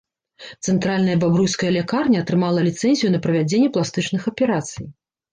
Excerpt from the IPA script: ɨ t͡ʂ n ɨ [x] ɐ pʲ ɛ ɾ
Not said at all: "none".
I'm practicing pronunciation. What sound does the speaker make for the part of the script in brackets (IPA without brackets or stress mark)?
x